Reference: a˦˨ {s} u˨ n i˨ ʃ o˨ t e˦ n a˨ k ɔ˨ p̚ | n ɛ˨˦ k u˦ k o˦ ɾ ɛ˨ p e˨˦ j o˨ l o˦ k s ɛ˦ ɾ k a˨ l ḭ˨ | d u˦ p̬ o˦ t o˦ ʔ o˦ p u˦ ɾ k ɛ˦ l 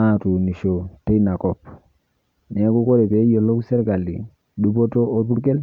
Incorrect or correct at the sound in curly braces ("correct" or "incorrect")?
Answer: incorrect